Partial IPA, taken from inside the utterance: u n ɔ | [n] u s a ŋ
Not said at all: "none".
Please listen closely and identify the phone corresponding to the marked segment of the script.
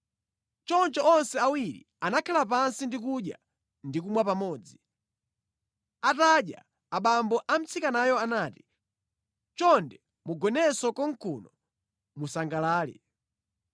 m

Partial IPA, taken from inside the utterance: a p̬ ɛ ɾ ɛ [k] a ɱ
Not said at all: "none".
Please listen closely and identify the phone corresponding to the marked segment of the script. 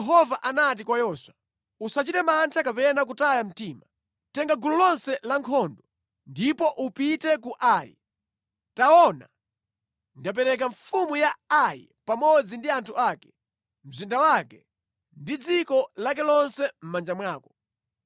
k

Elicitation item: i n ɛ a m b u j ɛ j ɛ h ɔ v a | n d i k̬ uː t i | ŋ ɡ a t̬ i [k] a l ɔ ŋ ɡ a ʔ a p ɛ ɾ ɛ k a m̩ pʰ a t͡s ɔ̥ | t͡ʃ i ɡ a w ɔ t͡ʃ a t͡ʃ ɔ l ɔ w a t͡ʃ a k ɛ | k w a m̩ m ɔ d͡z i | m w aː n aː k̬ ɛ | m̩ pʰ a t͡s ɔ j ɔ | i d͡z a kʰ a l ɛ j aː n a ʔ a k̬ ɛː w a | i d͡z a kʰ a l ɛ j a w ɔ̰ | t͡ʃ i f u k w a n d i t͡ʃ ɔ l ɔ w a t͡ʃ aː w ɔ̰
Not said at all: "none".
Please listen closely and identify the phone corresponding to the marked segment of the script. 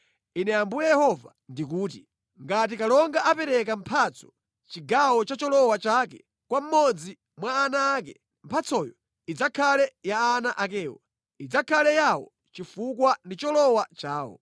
k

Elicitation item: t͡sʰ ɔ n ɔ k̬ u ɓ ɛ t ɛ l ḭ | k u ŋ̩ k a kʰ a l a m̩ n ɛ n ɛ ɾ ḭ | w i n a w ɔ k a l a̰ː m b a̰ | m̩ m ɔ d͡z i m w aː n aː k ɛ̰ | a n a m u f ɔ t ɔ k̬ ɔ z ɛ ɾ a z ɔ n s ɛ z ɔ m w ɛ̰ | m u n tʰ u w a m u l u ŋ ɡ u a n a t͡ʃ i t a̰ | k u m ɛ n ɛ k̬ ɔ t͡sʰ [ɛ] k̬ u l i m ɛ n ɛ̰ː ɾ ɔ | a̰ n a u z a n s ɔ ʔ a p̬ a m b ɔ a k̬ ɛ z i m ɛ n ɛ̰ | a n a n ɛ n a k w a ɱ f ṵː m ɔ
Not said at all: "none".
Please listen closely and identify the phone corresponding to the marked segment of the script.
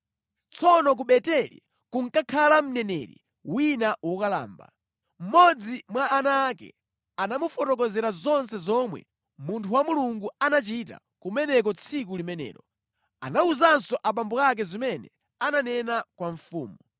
i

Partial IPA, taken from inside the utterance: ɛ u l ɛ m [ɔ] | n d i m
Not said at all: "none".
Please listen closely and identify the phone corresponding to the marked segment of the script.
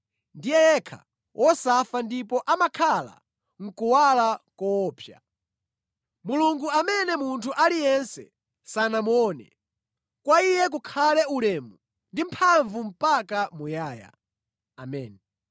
u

